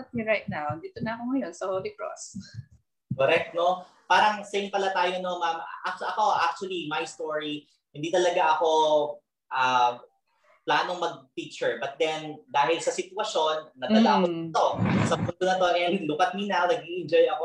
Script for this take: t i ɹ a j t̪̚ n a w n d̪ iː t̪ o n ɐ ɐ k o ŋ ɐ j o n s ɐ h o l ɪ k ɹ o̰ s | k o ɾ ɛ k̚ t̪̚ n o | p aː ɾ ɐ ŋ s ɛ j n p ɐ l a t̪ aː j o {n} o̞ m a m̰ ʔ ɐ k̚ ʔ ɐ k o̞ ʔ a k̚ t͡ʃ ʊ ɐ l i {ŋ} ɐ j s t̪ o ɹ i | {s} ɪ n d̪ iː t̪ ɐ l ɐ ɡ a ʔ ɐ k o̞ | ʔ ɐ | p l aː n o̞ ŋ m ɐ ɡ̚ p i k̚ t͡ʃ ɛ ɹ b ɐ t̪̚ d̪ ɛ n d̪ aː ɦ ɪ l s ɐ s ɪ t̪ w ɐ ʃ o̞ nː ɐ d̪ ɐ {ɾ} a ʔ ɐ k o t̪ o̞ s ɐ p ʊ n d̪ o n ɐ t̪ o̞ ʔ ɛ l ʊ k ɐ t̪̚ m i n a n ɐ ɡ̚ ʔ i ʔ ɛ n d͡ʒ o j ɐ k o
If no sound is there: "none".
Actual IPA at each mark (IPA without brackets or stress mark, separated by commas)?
n, m, h, l